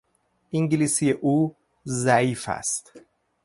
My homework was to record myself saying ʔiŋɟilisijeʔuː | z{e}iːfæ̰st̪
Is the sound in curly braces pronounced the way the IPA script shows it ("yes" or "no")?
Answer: no